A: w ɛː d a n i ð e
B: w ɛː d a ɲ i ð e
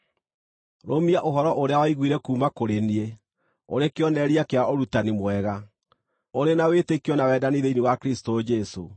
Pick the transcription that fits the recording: A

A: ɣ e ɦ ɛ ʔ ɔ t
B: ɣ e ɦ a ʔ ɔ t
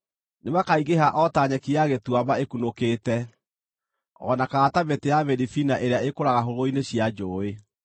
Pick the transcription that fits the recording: B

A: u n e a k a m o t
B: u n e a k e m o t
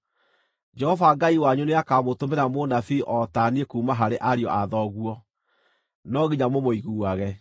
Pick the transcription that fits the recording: A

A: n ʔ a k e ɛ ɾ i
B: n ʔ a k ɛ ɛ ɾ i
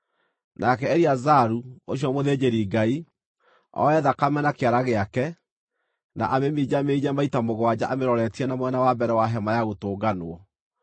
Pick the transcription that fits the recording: B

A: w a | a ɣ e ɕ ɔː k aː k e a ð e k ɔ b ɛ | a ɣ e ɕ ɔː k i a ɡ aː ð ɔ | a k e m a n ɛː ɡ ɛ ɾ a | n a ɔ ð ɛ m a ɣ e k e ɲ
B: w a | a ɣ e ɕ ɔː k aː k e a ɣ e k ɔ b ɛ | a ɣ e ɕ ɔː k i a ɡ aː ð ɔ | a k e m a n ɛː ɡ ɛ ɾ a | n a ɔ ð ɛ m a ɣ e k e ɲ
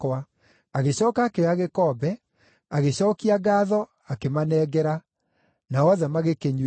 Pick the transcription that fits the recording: B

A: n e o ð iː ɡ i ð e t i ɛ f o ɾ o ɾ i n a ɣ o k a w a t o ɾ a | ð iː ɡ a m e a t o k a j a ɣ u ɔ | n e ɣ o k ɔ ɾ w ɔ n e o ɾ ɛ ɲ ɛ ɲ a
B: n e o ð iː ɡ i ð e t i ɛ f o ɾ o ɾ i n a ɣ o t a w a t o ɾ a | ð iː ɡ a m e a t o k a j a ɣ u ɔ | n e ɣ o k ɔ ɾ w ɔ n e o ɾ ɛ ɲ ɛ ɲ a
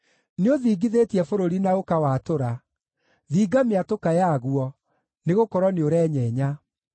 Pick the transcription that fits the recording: A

